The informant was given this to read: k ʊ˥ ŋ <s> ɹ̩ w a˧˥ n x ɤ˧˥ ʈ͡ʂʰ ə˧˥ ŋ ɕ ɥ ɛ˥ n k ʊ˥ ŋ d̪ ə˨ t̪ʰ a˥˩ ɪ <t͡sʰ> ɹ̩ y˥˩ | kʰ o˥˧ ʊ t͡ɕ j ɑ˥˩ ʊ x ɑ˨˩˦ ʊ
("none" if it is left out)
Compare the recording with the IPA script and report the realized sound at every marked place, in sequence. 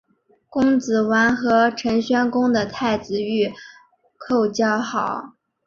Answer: t͡s, t͡s

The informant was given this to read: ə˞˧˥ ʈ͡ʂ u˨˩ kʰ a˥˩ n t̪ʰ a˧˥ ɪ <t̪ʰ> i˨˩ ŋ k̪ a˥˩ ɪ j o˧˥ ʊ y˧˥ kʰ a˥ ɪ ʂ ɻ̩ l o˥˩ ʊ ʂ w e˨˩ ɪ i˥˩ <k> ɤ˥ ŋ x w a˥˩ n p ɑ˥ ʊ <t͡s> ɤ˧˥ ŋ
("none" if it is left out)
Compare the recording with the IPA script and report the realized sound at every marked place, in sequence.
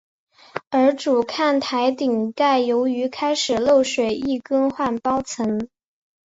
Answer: t̪, k, t͡sʰ

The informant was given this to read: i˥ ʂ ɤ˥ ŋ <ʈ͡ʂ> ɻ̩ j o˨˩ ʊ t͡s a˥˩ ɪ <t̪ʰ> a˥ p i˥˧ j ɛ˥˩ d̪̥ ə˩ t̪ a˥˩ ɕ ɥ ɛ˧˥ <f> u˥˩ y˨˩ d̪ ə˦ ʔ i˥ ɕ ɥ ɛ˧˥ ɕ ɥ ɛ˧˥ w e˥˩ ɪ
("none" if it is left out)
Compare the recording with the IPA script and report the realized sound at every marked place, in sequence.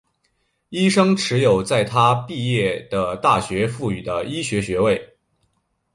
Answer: ʈ͡ʂʰ, t̪ʰ, f

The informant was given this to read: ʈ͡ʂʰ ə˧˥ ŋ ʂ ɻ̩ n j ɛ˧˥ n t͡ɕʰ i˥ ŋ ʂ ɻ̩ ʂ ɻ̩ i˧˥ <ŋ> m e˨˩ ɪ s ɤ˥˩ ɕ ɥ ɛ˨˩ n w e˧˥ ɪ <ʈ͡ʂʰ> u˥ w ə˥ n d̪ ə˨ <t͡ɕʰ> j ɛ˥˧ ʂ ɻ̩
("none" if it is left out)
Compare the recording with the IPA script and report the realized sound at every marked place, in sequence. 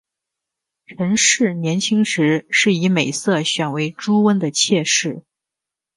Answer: none, ʈ͡ʂ, t͡ɕʰ

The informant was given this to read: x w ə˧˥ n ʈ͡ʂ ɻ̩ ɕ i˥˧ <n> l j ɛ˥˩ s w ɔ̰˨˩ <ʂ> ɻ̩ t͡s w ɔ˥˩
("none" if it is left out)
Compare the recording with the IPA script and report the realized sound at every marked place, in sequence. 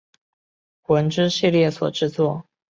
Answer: none, ʈ͡ʂ

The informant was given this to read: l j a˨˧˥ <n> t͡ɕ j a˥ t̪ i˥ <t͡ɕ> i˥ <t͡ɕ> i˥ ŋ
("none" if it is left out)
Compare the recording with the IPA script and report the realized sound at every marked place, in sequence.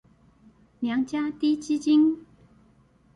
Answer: ŋ, t͡ɕ, t͡ɕ

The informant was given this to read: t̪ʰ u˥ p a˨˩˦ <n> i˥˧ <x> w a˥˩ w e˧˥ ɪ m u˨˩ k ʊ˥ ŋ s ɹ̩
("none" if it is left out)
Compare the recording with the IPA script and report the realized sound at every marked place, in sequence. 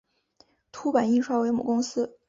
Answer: n, ʂ

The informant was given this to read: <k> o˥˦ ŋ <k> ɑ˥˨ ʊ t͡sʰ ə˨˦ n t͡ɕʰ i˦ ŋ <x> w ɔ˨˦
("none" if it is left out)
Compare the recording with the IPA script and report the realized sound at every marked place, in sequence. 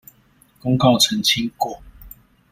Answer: k, k, k

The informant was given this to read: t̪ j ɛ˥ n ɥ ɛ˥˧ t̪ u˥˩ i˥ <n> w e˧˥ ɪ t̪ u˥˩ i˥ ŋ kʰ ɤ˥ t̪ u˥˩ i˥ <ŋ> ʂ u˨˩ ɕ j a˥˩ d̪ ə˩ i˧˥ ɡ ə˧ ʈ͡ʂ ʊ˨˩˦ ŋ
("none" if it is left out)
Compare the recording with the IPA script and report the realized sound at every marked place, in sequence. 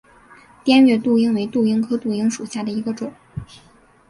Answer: ŋ, ŋ

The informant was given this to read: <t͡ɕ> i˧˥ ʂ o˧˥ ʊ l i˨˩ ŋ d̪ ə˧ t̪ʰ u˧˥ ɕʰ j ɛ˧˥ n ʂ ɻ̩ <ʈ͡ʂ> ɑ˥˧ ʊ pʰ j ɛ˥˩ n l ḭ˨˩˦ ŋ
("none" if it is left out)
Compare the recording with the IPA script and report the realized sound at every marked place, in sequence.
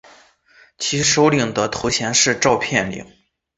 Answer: t͡ɕʰ, ʈ͡ʂ

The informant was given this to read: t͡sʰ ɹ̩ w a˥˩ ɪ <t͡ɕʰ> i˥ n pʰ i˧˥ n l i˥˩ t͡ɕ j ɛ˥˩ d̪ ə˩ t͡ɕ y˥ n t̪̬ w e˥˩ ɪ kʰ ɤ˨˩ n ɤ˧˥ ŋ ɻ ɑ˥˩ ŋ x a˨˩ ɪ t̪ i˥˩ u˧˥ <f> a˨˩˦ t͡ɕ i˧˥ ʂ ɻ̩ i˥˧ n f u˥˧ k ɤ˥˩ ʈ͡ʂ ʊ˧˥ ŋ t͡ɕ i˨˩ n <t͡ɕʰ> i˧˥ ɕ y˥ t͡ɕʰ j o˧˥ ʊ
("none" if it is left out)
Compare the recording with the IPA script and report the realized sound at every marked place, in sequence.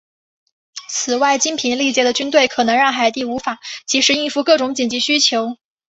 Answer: t͡ɕ, f, t͡ɕ

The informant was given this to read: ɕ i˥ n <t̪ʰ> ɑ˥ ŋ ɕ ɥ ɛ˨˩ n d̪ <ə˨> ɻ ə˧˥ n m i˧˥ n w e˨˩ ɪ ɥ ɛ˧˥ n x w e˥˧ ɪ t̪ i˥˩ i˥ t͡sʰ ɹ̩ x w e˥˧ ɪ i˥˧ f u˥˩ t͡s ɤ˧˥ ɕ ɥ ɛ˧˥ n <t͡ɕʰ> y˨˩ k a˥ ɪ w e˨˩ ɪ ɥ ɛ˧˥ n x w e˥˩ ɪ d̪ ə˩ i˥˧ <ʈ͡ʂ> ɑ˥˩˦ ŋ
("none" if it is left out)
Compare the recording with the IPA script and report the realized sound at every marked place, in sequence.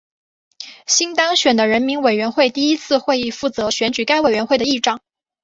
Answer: t̪, ə˦, t͡ɕ, ʈ͡ʂ

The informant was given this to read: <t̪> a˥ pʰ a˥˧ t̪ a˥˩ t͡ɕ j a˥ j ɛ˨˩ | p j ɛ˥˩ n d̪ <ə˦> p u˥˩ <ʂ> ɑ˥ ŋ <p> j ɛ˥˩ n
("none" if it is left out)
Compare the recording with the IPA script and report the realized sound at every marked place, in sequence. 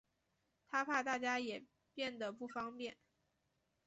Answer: t̪ʰ, ə˩, f, p

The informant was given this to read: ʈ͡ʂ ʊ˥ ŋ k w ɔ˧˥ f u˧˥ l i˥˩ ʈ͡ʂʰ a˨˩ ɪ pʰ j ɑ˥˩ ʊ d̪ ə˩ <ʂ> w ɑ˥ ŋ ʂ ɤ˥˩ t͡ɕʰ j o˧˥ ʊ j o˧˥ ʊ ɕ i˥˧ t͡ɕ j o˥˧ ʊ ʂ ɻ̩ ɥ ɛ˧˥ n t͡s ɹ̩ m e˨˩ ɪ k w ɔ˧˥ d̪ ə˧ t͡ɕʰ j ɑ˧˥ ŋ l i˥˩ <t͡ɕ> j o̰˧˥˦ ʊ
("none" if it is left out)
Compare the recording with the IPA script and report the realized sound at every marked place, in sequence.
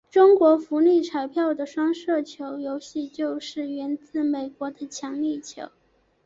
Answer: ʂ, t͡ɕʰ

